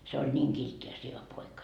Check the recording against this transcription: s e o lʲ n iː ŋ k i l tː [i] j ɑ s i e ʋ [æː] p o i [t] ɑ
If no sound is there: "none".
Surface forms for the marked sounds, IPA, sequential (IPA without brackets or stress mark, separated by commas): i, æ, k